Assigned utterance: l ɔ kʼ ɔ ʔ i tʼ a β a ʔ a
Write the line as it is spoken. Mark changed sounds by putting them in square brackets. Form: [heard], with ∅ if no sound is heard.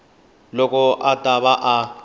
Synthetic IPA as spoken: l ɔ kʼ ɔ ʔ [a] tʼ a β a ʔ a